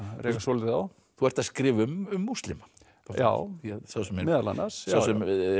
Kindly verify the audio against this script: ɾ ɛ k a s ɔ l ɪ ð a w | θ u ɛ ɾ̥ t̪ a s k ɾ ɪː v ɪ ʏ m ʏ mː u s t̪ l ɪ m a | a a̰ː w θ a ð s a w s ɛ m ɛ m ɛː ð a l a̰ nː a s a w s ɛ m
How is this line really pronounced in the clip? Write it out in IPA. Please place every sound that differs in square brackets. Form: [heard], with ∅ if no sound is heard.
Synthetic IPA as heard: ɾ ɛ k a s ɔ l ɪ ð a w | θ u ɛ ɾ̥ t̪ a s k ɾ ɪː v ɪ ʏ m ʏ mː u s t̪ l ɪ m a | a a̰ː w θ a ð s a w s ɛ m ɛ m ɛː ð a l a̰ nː a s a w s ɛ m